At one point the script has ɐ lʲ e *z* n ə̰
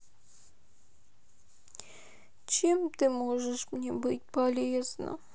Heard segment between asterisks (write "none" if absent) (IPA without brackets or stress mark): z